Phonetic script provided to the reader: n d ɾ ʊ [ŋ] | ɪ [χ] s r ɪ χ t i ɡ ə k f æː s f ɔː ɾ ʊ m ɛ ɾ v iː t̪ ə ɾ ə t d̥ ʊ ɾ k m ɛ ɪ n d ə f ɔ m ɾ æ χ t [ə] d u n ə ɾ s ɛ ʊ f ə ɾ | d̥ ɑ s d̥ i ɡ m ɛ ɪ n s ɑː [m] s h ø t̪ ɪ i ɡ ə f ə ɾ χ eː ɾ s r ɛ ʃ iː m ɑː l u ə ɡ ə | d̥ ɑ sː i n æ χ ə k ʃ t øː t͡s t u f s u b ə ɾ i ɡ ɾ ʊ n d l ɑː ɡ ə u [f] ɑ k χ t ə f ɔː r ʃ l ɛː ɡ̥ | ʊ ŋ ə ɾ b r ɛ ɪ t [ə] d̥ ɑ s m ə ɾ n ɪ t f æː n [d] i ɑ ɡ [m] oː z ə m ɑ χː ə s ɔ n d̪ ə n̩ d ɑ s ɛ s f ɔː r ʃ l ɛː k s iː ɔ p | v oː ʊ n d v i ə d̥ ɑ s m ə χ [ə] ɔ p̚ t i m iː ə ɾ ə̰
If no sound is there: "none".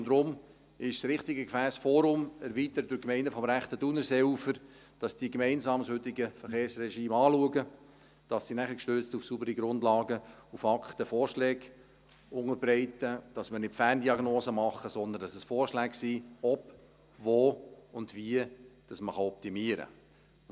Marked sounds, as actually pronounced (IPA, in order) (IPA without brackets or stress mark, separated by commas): m, ʃ, ə, m, f, ə, d, n, ɑ